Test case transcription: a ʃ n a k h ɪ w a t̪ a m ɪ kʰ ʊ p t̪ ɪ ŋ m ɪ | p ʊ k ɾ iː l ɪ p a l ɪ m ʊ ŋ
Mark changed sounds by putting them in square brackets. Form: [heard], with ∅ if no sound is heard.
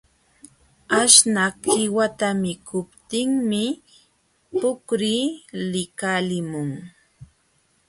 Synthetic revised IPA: a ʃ n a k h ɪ w a t̪ a m ɪ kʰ ʊ p t̪ ɪ ŋ m ɪ | p ʊ k ɾ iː l ɪ [k] a l ɪ m ʊ ŋ